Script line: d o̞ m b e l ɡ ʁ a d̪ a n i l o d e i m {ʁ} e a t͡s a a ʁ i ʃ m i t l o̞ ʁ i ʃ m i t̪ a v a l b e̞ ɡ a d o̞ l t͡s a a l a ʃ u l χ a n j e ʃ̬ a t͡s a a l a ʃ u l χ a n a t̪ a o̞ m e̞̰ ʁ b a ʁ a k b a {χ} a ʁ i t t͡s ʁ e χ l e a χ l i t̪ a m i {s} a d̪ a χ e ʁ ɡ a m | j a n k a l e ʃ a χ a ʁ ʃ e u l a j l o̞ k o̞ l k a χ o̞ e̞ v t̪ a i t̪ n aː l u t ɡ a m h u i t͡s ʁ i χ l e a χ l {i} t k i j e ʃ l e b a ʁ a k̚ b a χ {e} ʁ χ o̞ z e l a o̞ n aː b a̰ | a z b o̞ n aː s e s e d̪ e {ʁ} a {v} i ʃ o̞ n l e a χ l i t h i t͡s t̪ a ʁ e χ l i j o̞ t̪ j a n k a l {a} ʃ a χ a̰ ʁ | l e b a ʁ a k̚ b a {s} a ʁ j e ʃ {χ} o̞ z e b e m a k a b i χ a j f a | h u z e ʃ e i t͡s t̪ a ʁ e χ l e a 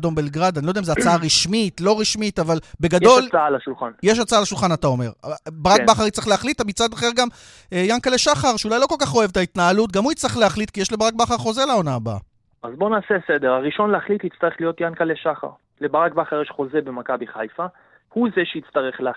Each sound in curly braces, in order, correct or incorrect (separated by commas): incorrect, correct, incorrect, correct, incorrect, correct, incorrect, incorrect, incorrect, correct